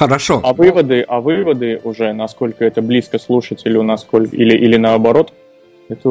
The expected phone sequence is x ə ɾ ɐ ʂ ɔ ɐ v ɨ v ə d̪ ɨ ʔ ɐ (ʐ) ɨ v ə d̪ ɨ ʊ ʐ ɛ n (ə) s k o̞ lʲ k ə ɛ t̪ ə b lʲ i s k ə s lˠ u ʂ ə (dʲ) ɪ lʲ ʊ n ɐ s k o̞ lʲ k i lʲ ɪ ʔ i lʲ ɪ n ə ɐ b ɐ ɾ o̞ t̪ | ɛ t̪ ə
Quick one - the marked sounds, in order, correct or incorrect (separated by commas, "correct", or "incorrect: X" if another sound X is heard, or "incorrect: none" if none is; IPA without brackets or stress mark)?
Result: incorrect: v, incorrect: ɐ, incorrect: tʲ